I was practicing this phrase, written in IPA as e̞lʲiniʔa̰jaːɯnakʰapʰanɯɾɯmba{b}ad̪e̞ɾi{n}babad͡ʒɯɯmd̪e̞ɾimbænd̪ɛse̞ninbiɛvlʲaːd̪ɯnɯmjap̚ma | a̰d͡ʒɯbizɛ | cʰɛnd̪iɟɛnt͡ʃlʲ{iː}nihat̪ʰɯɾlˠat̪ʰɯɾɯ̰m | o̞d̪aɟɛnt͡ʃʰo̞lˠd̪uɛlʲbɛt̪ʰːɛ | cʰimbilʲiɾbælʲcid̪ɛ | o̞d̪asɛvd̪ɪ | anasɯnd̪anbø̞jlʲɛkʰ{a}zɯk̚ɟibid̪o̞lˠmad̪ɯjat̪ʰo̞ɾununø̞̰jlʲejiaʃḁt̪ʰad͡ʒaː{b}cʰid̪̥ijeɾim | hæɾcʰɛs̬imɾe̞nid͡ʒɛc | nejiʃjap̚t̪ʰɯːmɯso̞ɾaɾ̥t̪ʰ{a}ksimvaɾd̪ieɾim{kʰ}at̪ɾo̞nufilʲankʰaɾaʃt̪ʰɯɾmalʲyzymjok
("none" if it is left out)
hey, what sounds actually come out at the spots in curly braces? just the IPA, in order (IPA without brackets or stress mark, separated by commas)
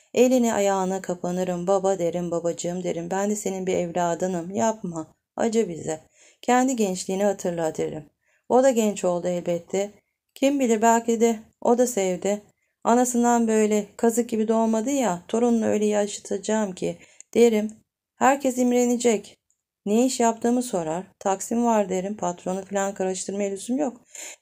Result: b, m, iː, a, m, a, pʰ